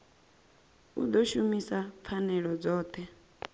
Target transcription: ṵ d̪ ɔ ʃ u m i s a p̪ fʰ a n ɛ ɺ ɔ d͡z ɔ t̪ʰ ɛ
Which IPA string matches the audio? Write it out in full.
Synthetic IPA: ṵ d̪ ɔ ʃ u m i s a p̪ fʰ a n ɛ ɺ ɔ d͡z ɔː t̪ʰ ɛ